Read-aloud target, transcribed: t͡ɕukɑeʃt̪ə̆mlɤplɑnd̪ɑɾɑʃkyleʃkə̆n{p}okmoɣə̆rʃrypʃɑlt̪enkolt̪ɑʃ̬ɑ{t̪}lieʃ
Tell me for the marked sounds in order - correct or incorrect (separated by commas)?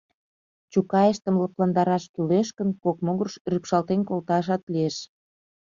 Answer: incorrect, correct